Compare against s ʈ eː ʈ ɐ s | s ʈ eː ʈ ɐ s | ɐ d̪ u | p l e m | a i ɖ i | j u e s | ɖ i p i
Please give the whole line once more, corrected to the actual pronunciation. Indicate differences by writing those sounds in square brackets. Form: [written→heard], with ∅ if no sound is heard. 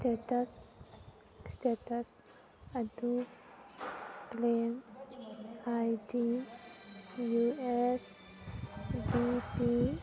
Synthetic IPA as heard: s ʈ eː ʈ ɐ s | s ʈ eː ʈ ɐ s | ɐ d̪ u | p l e m | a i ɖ i | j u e s | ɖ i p i